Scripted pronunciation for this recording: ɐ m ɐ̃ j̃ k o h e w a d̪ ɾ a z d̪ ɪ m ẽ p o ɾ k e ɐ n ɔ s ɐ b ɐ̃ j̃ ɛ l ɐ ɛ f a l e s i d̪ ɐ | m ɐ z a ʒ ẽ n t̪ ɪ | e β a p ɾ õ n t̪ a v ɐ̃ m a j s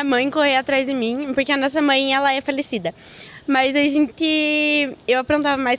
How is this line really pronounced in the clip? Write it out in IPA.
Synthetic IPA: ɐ m ɐ̃ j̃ k o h e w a t̪ ɾ a z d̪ ɪ m ĩ p o ɾ k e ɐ n ɔ s ɐ m ɐ̃ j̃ ɛ l ɐ ɛ f a l e s i d̪ ɐ | m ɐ z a ʒ ẽ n t̪ ɪ | e w a p ɾ õ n t̪ a v ɐ m a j s